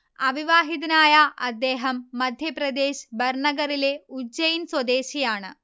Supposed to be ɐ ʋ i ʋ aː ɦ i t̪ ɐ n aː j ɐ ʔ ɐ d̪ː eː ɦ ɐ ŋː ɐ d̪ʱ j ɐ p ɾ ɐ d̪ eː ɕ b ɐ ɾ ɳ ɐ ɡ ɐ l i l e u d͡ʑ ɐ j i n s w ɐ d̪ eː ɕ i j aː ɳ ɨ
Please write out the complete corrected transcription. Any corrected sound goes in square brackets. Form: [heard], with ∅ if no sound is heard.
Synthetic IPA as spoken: ɐ ʋ i ʋ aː ɦ i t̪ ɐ n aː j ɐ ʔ ɐ d̪ː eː ɦ ɐ [mː] ɐ d̪ʱ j ɐ p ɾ ɐ d̪ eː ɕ b ɐ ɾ ɳ ɐ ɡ ɐ [ɾ] i l e u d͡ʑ ɐ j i n s w ɐ d̪ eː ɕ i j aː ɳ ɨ